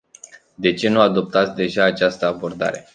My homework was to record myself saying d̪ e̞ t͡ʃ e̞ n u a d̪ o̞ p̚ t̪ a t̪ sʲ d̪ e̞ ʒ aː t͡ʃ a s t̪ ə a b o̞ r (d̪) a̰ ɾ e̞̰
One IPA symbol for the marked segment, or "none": d̪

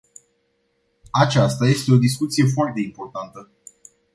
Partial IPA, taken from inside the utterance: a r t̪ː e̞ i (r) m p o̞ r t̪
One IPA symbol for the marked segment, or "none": none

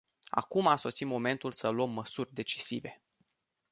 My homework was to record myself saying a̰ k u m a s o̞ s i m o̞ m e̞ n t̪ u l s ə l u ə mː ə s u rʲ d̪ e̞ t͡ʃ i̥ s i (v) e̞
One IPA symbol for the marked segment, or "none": v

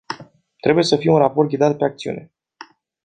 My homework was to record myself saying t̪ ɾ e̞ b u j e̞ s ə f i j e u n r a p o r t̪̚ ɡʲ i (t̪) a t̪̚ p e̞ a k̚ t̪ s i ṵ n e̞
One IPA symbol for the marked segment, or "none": d̪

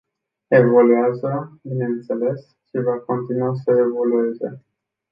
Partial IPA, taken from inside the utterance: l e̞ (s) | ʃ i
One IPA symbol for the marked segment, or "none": s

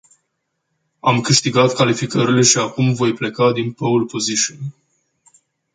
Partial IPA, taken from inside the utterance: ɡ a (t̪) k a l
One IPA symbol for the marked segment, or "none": t̪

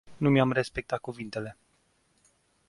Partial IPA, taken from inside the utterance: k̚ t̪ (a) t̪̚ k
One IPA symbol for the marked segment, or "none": a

